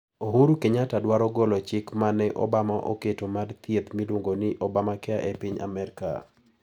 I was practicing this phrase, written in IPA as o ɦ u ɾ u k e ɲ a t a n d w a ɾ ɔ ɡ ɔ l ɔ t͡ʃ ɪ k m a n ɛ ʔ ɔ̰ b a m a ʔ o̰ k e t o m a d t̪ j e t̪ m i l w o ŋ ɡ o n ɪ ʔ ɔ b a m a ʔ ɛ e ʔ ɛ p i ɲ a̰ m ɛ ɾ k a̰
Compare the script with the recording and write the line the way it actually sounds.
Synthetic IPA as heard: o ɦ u ɾ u k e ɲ a t a d w a ɾ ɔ ɡ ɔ l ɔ t͡ʃ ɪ k m a n ɛ ʔ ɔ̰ b a m a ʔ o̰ k e t o m a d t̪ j e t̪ m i l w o ŋ ɡ o n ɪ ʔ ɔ b a m a k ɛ a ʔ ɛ p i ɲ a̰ m ɛ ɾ k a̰